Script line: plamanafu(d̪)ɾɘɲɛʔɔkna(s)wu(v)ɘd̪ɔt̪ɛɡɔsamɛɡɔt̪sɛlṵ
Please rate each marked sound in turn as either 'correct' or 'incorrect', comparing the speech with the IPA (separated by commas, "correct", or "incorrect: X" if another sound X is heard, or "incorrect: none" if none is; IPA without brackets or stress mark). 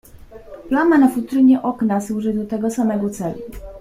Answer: incorrect: t̪, correct, incorrect: ʐ